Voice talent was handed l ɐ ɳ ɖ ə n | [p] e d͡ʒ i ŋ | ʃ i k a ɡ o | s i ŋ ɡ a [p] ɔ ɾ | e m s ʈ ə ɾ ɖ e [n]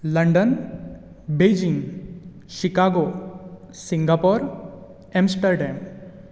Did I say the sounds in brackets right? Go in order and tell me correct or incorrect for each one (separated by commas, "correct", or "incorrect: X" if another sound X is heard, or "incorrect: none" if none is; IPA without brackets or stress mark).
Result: incorrect: b, correct, incorrect: m